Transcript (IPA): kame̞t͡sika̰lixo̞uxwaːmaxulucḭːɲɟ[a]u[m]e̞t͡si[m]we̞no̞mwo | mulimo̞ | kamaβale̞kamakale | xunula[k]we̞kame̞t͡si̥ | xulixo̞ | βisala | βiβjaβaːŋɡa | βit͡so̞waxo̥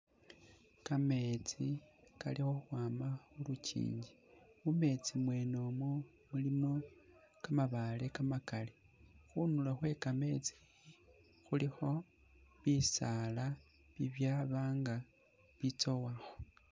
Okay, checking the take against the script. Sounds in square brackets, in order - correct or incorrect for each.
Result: incorrect, correct, correct, incorrect

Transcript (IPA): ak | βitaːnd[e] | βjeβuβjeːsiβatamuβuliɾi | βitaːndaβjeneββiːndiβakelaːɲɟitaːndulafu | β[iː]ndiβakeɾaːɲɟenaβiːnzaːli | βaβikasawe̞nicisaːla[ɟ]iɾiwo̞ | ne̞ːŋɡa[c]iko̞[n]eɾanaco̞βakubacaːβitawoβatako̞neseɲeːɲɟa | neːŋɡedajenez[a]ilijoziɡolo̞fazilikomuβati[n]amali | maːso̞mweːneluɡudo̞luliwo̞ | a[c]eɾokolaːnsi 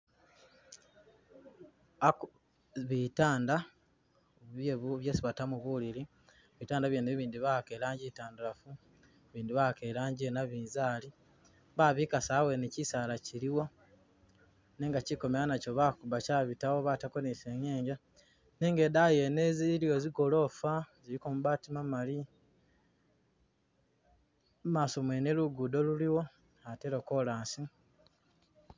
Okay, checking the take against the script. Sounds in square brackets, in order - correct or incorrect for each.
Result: incorrect, correct, incorrect, correct, incorrect, incorrect, incorrect, incorrect

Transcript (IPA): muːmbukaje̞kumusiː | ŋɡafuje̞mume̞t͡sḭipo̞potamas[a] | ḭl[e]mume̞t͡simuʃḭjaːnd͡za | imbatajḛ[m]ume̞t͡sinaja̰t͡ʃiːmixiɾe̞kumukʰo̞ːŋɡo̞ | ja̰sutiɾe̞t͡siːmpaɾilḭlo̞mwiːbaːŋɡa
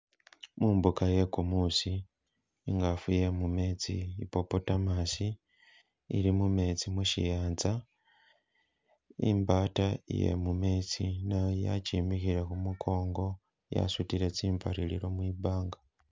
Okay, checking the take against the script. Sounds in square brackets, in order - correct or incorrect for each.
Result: incorrect, incorrect, correct

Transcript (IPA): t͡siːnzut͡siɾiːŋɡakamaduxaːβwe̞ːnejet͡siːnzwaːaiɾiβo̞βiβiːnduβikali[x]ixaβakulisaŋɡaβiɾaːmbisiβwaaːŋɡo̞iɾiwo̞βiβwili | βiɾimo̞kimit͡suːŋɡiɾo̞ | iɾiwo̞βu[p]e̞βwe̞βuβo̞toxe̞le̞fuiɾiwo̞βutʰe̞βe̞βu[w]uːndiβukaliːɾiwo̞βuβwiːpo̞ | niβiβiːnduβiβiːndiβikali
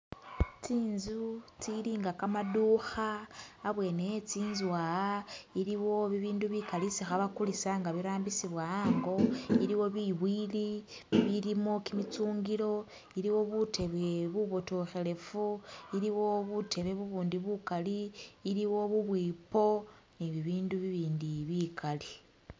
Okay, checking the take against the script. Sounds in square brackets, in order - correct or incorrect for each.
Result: incorrect, incorrect, incorrect

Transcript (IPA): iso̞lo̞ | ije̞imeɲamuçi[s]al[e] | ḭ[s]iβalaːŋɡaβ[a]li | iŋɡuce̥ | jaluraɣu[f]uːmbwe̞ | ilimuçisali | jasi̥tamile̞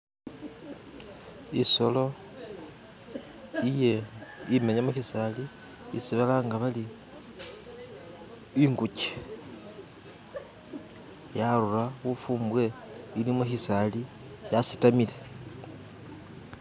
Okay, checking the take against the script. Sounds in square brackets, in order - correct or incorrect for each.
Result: correct, incorrect, correct, correct, correct

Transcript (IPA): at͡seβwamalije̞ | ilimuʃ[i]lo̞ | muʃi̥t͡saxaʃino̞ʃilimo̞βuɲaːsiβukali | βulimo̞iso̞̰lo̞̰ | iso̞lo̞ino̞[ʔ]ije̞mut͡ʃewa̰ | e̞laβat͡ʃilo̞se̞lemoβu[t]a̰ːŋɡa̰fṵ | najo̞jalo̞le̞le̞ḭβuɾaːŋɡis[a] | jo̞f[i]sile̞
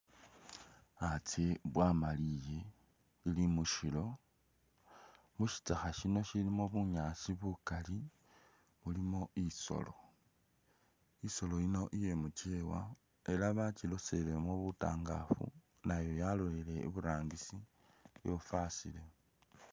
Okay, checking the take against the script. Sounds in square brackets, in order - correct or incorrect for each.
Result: correct, correct, correct, incorrect, incorrect

